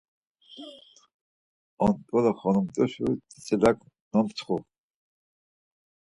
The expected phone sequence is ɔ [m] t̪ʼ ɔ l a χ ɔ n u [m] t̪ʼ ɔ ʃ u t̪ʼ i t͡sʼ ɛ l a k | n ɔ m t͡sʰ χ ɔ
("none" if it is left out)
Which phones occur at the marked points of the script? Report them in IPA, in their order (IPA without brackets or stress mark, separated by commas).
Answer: n, m